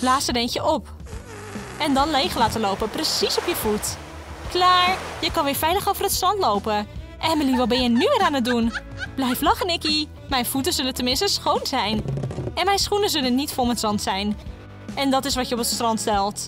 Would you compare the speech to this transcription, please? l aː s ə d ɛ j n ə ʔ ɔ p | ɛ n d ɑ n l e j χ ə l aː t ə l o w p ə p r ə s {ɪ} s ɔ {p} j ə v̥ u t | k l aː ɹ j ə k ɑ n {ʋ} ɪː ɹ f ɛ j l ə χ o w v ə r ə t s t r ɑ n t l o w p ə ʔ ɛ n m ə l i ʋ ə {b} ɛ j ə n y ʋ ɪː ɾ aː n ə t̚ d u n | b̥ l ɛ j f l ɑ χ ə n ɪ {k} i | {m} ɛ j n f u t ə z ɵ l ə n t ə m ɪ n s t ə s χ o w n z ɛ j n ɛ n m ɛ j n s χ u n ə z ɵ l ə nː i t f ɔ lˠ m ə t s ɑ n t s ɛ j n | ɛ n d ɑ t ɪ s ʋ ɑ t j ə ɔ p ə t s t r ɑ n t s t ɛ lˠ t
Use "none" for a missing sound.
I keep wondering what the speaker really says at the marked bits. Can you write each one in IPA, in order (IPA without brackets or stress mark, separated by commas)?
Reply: i, p, ʋ, b, k, m